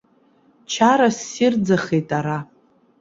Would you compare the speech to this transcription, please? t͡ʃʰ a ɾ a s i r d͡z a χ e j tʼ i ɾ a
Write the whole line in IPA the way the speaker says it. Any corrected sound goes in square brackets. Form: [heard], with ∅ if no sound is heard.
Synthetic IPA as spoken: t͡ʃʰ a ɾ a s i r d͡z a χ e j tʼ [a] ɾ a